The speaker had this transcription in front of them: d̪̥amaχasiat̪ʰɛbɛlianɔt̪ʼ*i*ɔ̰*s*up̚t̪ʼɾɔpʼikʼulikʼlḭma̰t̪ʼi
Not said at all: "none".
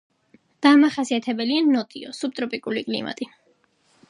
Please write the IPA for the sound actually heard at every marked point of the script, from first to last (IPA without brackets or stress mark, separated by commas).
i, s